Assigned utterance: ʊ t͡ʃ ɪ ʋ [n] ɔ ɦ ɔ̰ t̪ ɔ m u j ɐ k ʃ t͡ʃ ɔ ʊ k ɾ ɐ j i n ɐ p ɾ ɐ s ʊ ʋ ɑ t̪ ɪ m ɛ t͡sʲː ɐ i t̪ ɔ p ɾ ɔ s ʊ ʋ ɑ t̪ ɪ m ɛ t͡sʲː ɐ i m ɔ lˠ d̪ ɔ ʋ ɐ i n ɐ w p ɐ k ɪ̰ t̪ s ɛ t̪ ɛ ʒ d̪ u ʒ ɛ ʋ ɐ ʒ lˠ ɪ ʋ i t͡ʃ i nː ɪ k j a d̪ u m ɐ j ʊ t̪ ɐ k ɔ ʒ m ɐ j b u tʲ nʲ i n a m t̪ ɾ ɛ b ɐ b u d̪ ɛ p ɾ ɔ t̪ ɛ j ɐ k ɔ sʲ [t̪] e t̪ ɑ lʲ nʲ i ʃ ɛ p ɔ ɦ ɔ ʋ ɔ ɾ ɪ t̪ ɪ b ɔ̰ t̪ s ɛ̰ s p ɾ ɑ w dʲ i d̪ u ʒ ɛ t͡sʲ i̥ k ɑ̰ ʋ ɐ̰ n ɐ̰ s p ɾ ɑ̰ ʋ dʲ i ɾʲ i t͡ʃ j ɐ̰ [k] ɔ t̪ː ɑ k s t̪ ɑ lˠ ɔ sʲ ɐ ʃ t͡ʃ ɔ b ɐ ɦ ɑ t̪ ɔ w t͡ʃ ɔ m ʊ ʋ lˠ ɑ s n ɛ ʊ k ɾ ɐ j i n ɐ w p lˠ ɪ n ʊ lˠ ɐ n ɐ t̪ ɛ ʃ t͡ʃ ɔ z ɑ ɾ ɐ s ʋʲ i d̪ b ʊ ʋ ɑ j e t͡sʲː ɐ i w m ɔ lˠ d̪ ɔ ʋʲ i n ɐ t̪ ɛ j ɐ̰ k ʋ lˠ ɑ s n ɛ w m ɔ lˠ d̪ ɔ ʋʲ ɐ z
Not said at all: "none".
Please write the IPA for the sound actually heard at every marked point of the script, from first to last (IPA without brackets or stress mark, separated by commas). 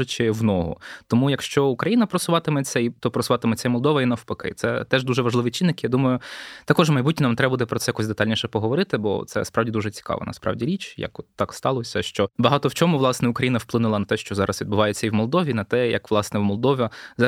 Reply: n, d̪, k